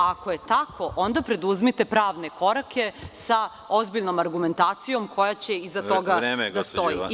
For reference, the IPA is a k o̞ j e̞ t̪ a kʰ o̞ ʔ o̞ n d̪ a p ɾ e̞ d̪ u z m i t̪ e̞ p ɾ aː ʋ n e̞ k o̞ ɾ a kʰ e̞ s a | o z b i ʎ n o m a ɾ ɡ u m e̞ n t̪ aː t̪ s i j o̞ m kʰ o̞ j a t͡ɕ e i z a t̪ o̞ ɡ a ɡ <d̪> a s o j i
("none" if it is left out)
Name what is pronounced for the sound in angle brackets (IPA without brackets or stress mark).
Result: d̪